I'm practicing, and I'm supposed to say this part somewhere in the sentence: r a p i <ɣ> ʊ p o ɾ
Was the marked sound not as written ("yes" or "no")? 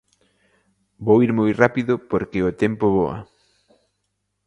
yes